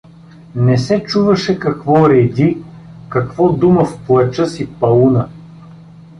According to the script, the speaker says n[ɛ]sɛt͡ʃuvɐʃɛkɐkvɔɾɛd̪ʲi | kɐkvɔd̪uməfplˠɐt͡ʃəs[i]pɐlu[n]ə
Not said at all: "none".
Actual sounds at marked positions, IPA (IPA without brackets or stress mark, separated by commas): ɛ, i, n